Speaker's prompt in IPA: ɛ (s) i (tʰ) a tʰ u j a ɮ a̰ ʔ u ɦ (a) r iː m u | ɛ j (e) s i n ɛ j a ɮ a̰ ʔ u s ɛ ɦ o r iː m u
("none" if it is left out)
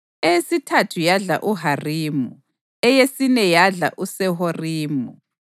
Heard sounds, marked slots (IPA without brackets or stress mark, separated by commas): s, tʰ, a, e